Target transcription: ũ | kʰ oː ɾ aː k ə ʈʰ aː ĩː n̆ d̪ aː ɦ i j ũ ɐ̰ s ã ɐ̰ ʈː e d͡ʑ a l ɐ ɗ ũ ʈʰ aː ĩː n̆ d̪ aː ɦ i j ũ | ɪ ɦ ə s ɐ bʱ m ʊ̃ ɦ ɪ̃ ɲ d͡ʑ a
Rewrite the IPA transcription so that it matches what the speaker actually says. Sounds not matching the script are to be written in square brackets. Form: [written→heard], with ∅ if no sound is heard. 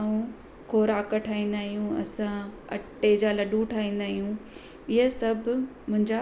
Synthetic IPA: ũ | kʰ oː ɾ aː k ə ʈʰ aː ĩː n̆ d̪ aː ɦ i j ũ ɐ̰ s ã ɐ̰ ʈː e d͡ʑ a l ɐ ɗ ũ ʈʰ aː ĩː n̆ d̪ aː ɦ i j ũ | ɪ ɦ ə s ɐ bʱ m ʊ̃ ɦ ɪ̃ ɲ d͡ʑ a